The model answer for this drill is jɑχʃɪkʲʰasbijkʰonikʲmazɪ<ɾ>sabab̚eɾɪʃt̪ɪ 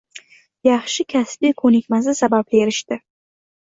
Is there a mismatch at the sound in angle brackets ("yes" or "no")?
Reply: yes